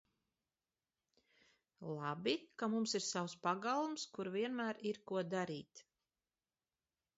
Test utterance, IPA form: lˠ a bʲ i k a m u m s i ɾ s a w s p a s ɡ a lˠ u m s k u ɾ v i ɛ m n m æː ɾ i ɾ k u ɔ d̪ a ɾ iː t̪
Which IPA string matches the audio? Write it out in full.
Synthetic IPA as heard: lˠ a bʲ i k a m u m s i ɾ s a w s p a ɡ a lˠ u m s k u ɾ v i ɛ n m æː ɾ i ɾ k u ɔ d̪ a ɾ iː t̪